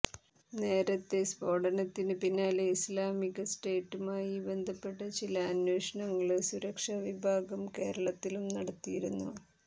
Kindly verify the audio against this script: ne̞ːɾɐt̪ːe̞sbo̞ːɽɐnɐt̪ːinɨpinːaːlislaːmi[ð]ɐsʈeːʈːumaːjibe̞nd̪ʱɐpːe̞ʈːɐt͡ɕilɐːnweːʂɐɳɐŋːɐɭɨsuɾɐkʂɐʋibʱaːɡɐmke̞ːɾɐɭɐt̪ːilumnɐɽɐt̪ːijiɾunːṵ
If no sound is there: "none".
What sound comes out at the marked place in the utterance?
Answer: ɣ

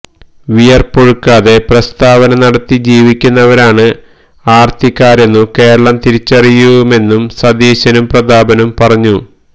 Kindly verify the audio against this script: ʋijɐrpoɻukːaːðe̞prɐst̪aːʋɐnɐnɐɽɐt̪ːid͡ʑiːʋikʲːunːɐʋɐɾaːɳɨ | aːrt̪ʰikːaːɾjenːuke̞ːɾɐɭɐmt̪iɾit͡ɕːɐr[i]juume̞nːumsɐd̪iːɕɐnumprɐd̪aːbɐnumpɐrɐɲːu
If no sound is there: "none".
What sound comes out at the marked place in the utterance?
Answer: i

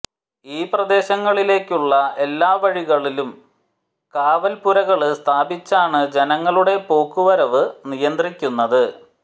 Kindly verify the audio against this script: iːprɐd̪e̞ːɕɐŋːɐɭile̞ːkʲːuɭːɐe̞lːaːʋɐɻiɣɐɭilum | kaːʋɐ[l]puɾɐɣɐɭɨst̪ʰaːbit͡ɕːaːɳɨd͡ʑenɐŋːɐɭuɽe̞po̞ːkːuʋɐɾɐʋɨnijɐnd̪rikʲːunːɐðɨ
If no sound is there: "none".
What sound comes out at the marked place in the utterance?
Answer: l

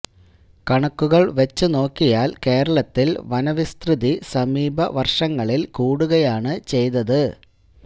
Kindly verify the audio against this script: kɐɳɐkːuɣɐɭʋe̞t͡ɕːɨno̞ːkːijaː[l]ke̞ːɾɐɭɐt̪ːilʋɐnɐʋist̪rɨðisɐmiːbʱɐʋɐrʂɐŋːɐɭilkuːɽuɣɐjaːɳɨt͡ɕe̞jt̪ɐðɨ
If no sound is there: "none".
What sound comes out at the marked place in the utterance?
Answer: l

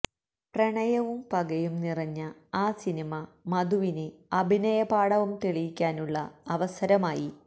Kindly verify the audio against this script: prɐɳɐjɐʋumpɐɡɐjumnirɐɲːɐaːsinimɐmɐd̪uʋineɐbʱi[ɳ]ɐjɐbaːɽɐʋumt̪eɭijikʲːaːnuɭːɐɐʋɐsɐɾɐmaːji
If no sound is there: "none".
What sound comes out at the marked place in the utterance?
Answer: n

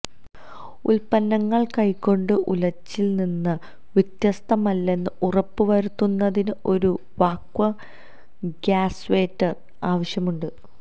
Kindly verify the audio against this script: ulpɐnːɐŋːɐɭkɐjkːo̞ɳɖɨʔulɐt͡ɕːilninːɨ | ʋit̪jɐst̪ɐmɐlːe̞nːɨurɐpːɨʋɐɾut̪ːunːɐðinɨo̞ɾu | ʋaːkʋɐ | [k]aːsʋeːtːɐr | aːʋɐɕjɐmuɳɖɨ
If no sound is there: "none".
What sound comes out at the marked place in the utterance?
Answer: ɡ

